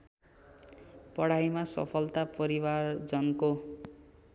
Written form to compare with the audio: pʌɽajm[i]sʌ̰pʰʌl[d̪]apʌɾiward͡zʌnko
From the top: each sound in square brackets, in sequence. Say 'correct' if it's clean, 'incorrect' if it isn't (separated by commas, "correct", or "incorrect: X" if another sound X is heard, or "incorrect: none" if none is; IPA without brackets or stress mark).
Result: incorrect: a, incorrect: t̪